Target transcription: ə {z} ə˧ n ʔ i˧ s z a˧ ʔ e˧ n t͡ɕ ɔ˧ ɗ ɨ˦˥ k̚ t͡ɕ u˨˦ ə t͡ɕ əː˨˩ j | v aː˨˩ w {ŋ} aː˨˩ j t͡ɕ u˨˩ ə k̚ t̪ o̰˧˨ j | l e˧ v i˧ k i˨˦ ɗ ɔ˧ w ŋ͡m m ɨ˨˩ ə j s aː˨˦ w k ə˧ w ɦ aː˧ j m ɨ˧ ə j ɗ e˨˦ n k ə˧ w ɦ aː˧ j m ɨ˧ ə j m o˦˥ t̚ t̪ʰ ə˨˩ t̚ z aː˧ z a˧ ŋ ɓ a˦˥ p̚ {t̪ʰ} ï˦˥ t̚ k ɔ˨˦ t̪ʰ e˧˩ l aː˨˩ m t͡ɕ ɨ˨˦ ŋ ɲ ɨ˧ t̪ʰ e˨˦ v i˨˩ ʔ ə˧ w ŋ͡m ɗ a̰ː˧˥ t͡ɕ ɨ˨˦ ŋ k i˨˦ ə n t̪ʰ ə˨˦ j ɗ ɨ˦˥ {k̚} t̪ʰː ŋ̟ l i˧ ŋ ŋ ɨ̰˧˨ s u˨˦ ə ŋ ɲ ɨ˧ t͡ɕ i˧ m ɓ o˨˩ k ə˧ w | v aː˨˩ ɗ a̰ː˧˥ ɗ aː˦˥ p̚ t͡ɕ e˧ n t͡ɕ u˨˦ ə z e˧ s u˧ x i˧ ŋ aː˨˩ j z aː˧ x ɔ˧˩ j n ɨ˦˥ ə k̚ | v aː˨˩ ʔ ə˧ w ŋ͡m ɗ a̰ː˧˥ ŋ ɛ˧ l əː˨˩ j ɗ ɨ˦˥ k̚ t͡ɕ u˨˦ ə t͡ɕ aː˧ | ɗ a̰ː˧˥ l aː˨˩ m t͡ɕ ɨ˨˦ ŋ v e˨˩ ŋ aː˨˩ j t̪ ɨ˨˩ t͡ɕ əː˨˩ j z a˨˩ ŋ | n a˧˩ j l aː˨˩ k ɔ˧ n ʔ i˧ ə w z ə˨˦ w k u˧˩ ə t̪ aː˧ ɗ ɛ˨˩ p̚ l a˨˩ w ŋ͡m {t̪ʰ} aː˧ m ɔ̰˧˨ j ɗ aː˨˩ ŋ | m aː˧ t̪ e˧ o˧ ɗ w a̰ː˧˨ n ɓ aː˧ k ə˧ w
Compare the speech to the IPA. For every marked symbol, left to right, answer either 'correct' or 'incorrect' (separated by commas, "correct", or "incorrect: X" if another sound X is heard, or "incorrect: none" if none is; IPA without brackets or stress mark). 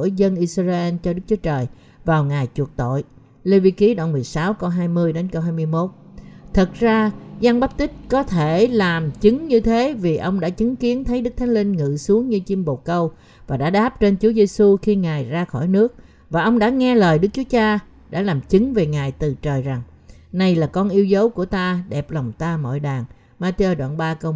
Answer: correct, correct, incorrect: t̪, correct, incorrect: t̪